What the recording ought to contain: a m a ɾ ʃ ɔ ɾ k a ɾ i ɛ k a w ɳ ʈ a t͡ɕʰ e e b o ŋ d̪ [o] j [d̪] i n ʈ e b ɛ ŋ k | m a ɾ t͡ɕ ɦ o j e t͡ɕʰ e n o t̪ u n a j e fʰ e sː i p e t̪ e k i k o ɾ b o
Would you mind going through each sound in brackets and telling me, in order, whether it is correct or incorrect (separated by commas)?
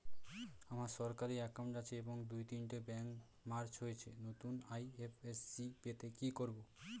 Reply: incorrect, incorrect